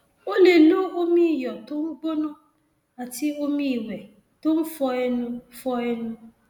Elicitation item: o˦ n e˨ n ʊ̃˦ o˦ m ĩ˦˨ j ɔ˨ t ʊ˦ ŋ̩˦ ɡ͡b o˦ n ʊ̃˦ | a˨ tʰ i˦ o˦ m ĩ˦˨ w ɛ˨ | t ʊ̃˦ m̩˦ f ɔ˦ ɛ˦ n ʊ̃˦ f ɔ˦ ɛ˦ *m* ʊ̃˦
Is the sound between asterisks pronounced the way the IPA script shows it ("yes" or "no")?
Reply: no